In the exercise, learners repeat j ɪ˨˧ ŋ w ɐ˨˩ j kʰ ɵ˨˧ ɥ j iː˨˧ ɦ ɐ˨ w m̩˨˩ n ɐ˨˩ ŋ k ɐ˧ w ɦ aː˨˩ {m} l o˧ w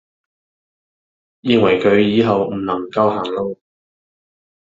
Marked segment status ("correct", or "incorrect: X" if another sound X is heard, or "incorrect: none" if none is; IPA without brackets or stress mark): incorrect: ŋ